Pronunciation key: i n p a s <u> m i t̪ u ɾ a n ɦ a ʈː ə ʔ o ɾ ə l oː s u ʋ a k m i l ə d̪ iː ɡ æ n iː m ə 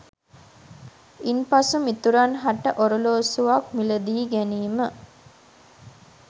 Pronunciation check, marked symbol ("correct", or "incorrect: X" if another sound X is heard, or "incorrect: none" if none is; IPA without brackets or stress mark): correct